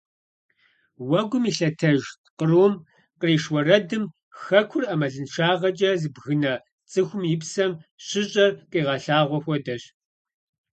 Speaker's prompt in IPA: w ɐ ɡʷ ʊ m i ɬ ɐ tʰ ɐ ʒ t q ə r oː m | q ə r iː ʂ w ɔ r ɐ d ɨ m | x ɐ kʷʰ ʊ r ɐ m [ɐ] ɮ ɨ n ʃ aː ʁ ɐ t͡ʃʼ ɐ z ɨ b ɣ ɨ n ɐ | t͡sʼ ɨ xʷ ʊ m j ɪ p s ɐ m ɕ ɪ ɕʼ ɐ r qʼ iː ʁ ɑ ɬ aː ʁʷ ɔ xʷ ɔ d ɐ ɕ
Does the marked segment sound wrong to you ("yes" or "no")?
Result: no